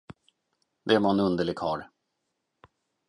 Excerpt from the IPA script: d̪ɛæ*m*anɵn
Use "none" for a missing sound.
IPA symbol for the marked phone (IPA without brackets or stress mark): m